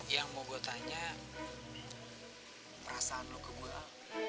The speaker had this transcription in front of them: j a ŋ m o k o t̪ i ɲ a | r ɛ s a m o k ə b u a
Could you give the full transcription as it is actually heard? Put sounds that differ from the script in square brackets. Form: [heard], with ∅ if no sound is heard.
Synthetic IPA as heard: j a ŋ m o [ɡ] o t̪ [a] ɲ a | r [a] s a [n] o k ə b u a

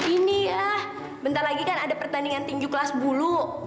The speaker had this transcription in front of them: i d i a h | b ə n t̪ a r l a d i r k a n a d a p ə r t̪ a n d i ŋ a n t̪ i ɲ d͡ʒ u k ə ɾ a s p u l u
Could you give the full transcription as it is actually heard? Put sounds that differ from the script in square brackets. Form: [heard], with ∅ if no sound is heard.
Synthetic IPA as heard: i [n] i a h | b ə n t̪ a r l a [ɡ] i [∅] k a n a d a p ə r t̪ a n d i ŋ a n t̪ i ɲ d͡ʒ u k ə [l] a s [b] u l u

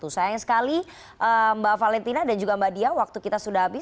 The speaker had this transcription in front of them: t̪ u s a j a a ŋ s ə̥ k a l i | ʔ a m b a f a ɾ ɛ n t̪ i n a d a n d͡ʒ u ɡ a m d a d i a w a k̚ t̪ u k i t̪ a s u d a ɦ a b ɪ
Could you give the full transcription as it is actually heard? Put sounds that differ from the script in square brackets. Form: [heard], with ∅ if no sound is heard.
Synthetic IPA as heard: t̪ u s a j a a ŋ s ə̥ k a l i | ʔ [ə] m b a f a [l] ɛ n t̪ i n a d a n d͡ʒ u ɡ a m [b] a d i a w a k̚ t̪ u k i t̪ a s u d a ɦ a b ɪ

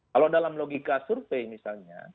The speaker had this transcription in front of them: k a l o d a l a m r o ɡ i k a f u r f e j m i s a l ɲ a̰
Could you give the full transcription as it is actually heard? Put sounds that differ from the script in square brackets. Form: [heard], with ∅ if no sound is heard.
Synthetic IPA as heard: k a l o d a l a m [l] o ɡ i k a [s] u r f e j m i s a l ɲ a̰

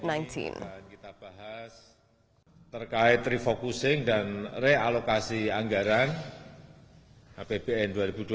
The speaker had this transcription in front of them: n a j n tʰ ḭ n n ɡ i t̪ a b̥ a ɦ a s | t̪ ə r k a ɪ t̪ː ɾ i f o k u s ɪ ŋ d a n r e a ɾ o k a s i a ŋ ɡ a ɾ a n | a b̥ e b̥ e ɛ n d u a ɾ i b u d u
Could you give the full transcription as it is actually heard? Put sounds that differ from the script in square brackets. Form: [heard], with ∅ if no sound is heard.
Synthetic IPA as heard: n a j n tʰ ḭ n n [k] i t̪ a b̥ a ɦ a s | t̪ ə r k a ɪ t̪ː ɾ i f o k u s ɪ ŋ d a n r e a [l] o k a s i a ŋ ɡ a ɾ a n | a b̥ e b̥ e ɛ n d u a ɾ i b u d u

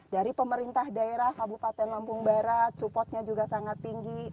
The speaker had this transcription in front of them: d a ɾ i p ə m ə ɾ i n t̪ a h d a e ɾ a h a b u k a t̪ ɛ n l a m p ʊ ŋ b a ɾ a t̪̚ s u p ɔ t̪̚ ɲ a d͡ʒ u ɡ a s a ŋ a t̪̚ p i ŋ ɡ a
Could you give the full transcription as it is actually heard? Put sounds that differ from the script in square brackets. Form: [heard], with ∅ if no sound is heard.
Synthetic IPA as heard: d a ɾ i p ə m ə ɾ i n t̪ a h d a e ɾ a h a b u [p] a t̪ ɛ n l a m p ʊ ŋ b a ɾ a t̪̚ s u p ɔ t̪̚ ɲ a d͡ʒ u ɡ a s a ŋ a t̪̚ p i ŋ ɡ [i]

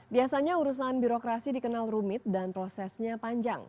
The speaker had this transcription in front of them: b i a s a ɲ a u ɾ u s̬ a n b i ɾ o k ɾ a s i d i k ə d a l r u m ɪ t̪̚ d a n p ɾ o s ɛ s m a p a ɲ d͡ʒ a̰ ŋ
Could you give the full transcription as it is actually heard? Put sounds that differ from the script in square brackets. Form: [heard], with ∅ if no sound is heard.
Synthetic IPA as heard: b i a s a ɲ a u ɾ u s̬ a n b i ɾ o k ɾ a s i d i k ə [n] a l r u m ɪ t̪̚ d a n p ɾ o s ɛ s [ɲ] a p a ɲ d͡ʒ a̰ ŋ

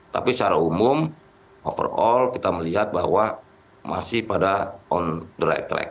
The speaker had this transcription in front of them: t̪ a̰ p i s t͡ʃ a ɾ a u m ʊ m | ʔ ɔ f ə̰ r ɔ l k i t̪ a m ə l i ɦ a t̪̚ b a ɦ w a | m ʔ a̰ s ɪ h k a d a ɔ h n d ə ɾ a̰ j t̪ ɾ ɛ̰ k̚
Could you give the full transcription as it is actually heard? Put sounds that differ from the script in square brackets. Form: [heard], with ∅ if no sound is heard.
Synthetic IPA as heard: t̪ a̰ p i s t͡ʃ a ɾ a u m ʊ m | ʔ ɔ f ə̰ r ɔ l k i t̪ a m ə l i ɦ a t̪̚ b a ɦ w a | m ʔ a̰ s ɪ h [p] a d a ɔ [∅] n d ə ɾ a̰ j t̪ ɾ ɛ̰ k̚

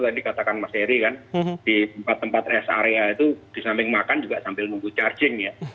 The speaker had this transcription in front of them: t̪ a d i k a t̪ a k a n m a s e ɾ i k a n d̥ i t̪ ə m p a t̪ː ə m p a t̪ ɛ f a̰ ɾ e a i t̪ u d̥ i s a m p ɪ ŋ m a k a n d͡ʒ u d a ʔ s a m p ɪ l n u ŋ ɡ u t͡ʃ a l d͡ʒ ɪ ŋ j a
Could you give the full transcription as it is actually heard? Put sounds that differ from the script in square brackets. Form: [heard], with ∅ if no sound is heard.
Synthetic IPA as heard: t̪ a d i k a t̪ a k a n m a s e ɾ i k a n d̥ i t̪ ə m p a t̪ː ə m p a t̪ ɛ [s] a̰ ɾ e a i t̪ u d̥ i s a m p ɪ ŋ m a k a n d͡ʒ u [ɡ] a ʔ s a m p ɪ l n u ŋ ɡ u t͡ʃ a [r] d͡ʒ ɪ ŋ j a

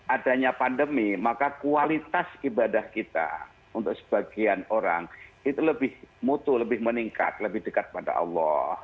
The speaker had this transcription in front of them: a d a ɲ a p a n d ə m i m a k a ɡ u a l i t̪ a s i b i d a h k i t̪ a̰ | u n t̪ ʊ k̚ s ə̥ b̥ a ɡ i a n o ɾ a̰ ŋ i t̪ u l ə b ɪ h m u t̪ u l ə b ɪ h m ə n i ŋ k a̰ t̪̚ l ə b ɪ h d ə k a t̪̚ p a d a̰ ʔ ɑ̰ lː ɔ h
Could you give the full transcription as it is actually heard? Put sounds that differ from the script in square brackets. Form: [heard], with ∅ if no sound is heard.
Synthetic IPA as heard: a d a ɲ a p a n d ə m i m a k a [k] u a l i t̪ a s i b [a] d a h k i t̪ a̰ | u n t̪ ʊ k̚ s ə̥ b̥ a ɡ i a n o ɾ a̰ ŋ i t̪ u l ə b ɪ h m u t̪ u l ə b ɪ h m ə n i ŋ k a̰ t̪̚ l ə b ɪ h d ə k a t̪̚ p a d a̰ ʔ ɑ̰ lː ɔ h

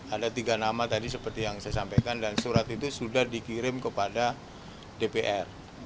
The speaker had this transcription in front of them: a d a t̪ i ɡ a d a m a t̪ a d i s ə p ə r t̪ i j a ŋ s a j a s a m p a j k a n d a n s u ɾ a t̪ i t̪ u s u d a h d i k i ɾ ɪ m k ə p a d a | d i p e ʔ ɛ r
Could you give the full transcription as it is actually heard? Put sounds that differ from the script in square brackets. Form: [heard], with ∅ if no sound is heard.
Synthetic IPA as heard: a d a t̪ i ɡ a [n] a m a t̪ a d i s ə p ə r t̪ i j a ŋ s a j a s a m p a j k a n d a n s u ɾ a t̪ i t̪ u s u d a h d i k i ɾ ɪ m k ə p a d a | d [e] p e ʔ ɛ r

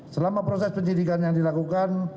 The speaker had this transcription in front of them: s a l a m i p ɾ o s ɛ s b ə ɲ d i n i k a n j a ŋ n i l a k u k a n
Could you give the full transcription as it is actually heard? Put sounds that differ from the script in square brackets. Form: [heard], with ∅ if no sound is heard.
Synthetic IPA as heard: s [ə] l a m [a] p ɾ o s ɛ s [p] ə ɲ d i [d] i k a n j a ŋ [d] i l a k u k a n

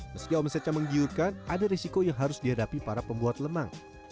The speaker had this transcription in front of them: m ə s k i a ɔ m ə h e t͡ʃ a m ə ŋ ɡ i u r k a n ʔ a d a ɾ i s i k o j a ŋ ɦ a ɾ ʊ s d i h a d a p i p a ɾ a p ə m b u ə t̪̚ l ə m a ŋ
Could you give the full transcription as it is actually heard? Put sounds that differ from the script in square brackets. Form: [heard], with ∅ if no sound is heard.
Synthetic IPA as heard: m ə s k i a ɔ m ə [s] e t͡ʃ a m ə ŋ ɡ i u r k a n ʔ a d a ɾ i s i k o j a ŋ ɦ a ɾ ʊ s d i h a d a p i p a ɾ a p ə m b u [a] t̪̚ l ə m a ŋ

